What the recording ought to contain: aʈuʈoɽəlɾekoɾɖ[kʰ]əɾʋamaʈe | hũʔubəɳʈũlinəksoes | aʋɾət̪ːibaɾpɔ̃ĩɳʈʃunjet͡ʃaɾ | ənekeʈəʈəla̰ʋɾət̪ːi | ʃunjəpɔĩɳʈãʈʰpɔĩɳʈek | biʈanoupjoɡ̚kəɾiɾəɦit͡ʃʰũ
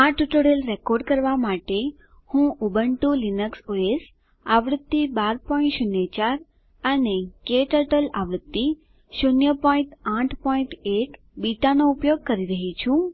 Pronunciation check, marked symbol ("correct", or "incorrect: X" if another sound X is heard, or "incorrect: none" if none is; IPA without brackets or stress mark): incorrect: k